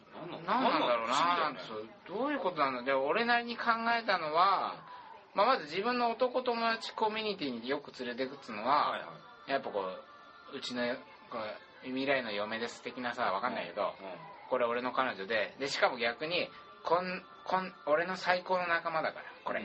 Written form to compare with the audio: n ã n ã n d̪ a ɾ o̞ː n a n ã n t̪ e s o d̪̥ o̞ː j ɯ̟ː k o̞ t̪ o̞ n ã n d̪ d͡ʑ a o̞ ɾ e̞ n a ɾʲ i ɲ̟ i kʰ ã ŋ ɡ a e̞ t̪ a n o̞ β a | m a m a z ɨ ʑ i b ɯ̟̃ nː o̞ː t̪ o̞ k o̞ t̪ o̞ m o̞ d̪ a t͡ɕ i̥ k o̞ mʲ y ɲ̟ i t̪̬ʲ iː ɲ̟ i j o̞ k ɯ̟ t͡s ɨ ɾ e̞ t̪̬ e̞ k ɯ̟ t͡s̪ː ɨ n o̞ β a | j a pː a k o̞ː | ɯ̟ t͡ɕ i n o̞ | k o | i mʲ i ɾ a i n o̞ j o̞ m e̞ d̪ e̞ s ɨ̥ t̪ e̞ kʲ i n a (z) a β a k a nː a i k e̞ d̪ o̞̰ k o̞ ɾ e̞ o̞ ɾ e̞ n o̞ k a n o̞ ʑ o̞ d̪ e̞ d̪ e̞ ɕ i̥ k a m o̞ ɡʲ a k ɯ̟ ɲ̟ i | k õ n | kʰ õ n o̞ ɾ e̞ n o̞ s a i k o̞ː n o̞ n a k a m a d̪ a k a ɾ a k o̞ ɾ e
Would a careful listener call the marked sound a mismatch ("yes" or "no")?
yes